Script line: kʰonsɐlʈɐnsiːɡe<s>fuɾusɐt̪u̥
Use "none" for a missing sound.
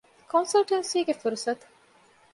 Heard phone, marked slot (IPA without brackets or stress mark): none